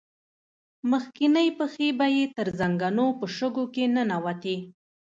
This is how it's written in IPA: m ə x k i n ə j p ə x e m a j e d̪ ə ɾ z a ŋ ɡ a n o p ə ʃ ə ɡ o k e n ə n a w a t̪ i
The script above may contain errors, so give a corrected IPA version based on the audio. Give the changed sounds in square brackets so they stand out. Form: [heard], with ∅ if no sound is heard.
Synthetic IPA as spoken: m ə x k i n ə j p ə x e [b] a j e [t̪] ə ɾ z a ŋ ɡ a n o p ə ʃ ə ɡ o k e n ə n a w a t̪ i